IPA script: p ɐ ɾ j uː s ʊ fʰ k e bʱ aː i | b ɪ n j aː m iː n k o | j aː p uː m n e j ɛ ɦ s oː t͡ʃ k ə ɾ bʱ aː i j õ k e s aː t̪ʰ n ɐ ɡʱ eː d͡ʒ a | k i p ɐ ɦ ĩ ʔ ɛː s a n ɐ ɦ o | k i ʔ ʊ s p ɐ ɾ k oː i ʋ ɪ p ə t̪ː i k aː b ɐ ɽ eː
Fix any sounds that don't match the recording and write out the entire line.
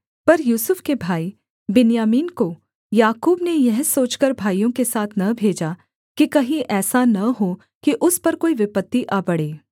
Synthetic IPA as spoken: p ɐ ɾ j uː s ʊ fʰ k e bʱ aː i | b ɪ n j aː m iː n k o | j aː k uː b n e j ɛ ɦ s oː t͡ʃ k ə ɾ bʱ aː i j õ k e s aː t̪ʰ n ɐ bʱ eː d͡ʒ a | k i k ɐ ɦ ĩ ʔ ɛː s a n ɐ ɦ o | k i ʔ ʊ s p ɐ ɾ k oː i ʋ ɪ p ə t̪ː i ʔ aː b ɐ ɽ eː